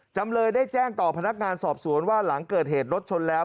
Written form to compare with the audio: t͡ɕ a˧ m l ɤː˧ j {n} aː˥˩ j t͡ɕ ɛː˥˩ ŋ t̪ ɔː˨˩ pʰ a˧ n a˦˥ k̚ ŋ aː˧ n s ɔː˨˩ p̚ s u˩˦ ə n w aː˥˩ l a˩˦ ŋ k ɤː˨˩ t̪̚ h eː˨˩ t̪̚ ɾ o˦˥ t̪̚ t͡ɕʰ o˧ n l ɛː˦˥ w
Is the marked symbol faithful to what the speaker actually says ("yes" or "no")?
no